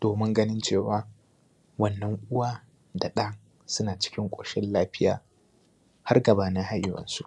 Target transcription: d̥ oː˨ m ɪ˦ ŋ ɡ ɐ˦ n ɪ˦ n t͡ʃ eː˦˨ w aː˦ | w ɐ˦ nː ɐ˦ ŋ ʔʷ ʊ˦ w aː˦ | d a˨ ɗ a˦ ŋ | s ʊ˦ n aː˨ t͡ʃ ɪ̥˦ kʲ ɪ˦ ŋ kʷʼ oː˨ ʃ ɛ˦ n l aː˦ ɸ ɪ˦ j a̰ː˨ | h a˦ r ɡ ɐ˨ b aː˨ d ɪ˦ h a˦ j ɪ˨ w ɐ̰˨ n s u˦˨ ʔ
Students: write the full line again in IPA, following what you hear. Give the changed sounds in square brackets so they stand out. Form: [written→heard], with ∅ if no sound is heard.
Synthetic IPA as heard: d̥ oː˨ m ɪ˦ ŋ ɡ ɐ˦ n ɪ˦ n t͡ʃ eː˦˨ w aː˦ | w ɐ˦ nː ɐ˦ ŋ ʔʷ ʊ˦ w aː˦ | d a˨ ɗ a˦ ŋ | s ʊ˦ n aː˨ t͡ʃ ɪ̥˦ kʲ ɪ˦ ŋ kʷʼ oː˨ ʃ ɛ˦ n l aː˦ ɸ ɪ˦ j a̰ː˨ | h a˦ r ɡ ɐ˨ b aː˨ [d→n] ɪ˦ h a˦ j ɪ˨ w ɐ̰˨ n s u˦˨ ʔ